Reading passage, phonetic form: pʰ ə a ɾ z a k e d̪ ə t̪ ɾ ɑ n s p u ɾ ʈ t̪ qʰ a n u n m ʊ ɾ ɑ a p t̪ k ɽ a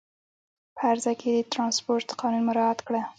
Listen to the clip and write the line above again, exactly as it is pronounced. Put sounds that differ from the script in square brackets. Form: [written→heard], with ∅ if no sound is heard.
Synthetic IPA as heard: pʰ ə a ɾ z a k e d̪ ə t̪ ɾ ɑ n s p [u→o] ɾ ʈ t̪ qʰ [a→ɑ] n u n m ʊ ɾ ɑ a [p→∅] t̪ k ɽ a